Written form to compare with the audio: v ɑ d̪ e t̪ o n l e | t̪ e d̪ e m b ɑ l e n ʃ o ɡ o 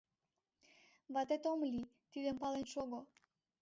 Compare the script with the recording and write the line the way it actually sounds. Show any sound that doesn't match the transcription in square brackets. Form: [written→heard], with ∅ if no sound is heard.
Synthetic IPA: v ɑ [d̪→t̪] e t̪ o [n→m] l [e→i] | t̪ [e→i] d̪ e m [b→p] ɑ l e n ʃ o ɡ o